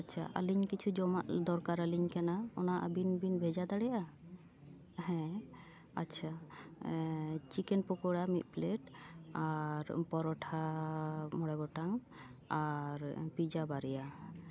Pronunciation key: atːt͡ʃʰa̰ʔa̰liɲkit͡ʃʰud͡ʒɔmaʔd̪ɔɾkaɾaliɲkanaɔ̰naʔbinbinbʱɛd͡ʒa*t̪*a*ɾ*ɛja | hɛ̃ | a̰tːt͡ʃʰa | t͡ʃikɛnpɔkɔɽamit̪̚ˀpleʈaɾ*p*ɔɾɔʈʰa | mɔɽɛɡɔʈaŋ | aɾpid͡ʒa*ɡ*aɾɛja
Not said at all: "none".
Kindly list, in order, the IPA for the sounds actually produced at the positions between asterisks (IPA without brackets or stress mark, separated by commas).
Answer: d̪, ɽ, p, b